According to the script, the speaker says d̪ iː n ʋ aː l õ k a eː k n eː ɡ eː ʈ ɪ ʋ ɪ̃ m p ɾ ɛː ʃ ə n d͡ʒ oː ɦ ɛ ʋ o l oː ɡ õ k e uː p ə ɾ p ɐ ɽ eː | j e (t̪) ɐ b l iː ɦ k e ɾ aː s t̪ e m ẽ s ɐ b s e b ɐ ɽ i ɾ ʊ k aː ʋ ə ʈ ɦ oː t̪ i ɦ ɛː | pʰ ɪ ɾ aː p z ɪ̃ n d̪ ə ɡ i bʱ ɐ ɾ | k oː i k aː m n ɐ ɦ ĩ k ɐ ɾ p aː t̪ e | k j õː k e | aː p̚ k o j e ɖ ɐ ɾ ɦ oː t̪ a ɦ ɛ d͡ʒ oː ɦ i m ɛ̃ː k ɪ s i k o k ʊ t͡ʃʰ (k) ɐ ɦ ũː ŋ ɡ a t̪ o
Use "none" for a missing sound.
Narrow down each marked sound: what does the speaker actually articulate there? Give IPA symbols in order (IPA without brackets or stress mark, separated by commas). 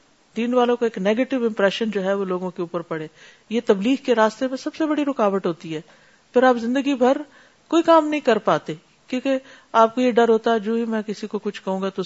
t̪, k